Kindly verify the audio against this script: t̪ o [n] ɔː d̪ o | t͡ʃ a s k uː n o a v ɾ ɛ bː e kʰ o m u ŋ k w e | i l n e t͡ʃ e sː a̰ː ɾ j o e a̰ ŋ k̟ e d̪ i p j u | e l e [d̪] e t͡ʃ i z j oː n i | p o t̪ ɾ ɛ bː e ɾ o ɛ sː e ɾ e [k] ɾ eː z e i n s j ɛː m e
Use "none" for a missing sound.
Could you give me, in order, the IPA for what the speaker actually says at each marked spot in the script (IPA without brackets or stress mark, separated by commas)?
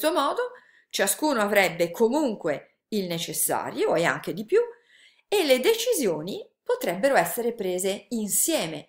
m, d̪, p